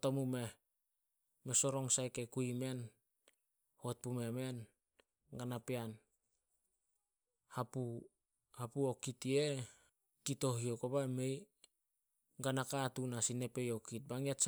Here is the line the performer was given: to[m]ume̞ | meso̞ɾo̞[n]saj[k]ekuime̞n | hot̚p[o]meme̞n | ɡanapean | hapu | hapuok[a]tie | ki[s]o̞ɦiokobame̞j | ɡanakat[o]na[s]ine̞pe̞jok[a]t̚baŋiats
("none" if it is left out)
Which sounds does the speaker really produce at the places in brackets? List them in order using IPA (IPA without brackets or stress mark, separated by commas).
m, ŋ, k, u, i, t, u, s, i